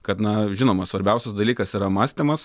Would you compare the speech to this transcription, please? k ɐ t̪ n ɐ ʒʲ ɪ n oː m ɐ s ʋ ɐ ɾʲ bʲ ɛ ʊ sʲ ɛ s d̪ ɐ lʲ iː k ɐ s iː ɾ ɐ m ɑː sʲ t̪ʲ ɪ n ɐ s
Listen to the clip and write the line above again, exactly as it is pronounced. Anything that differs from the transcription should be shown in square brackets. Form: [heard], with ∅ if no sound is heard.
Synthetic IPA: k ɐ t̪ n ɐ ʒʲ ɪ n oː m ɐ s ʋ ɐ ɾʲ bʲ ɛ ʊ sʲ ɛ s d̪ ɐ lʲ iː k ɐ s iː ɾ ɐ m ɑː sʲ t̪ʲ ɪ [m] ɐ s